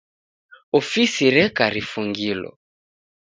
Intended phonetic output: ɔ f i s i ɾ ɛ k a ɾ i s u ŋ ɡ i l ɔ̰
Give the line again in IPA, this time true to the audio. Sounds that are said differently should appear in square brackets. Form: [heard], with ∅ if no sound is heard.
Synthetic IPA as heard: ɔ f i s i ɾ ɛ k a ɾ i [f] u ŋ ɡ i l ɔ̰